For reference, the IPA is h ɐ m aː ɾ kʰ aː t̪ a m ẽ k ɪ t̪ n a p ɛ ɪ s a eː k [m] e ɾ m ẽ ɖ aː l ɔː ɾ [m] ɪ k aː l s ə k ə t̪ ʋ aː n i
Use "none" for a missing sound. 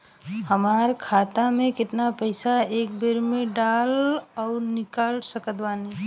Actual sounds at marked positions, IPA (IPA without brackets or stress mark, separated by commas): b, n